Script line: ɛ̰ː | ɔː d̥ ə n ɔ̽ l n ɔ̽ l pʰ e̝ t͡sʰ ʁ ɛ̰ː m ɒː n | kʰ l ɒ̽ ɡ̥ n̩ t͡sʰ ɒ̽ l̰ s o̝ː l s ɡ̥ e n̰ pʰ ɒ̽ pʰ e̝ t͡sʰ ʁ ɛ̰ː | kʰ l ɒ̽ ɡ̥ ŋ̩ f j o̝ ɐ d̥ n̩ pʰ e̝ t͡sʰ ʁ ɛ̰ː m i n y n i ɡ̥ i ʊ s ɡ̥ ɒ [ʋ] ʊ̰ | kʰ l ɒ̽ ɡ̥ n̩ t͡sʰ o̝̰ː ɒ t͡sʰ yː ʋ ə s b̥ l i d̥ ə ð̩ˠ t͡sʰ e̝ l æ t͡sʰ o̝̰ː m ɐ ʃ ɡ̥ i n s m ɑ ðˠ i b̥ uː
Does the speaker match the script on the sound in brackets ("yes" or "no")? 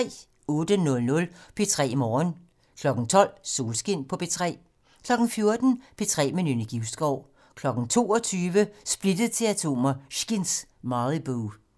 no